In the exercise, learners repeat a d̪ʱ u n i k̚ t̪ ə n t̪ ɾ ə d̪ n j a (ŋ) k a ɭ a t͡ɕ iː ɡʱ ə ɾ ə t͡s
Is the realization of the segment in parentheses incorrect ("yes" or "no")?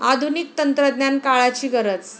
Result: yes